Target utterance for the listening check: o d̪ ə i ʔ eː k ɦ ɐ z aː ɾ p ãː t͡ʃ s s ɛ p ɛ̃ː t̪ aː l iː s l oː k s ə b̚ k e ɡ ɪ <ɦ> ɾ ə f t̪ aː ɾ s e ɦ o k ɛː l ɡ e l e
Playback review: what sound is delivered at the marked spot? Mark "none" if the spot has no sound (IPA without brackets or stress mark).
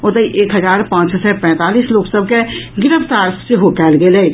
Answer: none